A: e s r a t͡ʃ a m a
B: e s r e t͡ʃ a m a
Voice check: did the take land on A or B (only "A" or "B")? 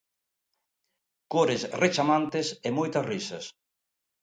B